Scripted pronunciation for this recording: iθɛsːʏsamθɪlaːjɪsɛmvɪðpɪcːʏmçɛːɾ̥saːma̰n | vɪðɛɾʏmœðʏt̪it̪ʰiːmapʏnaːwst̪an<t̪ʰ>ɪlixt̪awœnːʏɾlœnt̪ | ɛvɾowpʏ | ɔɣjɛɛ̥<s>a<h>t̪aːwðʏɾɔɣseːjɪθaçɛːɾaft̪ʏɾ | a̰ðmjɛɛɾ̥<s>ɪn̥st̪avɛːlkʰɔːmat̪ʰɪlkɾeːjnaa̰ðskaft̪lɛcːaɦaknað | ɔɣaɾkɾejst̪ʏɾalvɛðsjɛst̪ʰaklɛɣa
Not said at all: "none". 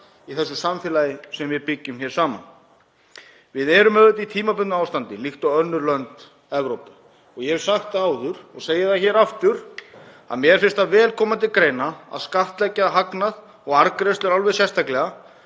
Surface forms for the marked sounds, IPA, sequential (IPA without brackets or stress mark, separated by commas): t̪, s, x, f